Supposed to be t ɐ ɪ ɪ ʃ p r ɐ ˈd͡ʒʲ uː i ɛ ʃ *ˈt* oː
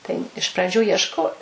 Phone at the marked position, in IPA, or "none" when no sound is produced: k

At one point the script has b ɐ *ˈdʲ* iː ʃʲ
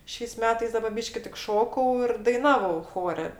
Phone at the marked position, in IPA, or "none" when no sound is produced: bʲ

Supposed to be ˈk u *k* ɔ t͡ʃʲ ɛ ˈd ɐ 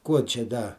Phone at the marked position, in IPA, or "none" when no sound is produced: none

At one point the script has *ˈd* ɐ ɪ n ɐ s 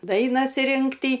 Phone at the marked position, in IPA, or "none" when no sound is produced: d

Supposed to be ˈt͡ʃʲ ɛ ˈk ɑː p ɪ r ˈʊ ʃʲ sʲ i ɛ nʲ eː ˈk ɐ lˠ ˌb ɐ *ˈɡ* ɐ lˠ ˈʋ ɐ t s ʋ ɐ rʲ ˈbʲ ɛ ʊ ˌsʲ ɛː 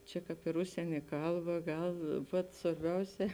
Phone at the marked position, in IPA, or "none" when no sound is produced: ɡ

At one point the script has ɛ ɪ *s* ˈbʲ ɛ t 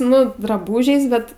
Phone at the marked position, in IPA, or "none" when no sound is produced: s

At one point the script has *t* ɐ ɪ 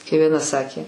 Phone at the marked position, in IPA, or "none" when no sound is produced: k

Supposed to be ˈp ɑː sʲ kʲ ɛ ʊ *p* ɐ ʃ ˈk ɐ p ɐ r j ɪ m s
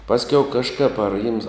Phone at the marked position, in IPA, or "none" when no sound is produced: k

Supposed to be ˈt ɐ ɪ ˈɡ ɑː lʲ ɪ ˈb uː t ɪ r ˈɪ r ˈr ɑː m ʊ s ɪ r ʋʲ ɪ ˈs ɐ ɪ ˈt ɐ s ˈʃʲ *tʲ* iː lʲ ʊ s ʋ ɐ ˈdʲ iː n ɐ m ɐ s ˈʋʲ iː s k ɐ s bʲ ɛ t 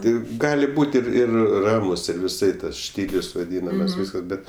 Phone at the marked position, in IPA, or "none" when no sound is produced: tʲ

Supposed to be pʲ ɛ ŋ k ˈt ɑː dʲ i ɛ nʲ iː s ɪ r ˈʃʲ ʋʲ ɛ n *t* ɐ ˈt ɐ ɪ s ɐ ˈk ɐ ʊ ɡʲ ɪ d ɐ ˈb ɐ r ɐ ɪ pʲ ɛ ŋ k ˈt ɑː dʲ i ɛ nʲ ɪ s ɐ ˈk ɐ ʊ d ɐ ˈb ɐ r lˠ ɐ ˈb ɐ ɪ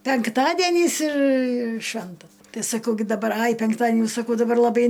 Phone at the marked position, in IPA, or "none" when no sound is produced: t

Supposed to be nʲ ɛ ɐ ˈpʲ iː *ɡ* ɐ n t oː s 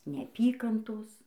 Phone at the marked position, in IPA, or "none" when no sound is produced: k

